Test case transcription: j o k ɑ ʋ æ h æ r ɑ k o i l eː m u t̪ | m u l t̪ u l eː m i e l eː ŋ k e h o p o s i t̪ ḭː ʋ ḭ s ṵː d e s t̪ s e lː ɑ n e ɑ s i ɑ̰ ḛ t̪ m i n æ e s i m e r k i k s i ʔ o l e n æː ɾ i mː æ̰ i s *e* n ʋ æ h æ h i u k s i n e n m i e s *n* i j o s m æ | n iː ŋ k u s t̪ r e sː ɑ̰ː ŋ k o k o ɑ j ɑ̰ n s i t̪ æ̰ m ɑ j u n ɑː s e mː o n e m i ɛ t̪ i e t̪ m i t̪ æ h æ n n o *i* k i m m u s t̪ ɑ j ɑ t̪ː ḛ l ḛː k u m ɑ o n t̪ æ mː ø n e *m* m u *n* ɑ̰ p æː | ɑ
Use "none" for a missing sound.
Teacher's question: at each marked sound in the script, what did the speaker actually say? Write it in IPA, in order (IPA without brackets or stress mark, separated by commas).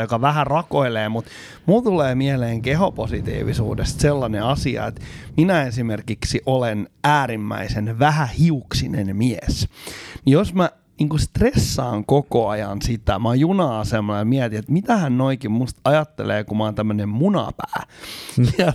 e, n, i, m, n